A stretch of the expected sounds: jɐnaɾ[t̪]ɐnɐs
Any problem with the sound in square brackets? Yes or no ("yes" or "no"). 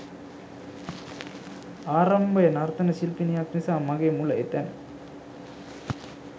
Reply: no